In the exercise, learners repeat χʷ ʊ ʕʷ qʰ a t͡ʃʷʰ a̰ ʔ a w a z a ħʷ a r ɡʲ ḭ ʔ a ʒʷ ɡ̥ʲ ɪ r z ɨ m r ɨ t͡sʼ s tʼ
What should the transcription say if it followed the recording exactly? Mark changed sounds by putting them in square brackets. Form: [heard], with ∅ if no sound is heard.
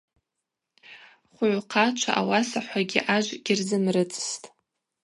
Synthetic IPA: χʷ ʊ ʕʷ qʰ a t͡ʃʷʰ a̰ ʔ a w a [s] a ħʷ a [∅] ɡʲ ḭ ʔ a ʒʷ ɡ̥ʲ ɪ r z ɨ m r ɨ t͡sʼ s tʼ